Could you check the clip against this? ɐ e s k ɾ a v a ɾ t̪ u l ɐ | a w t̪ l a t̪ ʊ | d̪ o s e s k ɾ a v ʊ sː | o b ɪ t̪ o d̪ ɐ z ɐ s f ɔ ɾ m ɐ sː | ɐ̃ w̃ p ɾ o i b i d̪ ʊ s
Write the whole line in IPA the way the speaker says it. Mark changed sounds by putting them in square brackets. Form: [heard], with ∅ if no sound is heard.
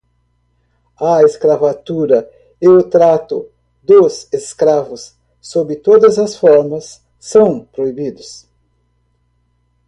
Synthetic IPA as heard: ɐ e s k ɾ a v a [∅] t̪ u [ɾ] ɐ | [e] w t̪ [ɾ] a t̪ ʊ | d̪ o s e s k ɾ a v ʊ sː | o b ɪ t̪ o d̪ ɐ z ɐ s f ɔ ɾ m ɐ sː | ɐ̃ w̃ p ɾ o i b i d̪ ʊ s